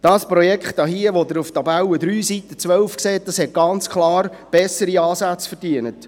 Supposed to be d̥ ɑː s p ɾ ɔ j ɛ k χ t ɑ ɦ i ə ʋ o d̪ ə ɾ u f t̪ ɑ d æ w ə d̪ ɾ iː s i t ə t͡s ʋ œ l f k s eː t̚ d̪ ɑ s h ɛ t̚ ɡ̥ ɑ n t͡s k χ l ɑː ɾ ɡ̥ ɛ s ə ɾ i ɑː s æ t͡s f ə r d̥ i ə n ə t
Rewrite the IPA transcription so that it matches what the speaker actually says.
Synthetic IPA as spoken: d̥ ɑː s p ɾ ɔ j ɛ k χ t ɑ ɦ i ə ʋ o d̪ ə ɾ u f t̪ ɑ b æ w ə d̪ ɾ yː s i t ə t͡s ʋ œ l f k s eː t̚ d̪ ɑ s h ɛ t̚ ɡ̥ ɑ n t͡s k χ l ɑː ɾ b̥ ɛ s ə ɾ i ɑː s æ t͡s f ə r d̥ i ə n ə t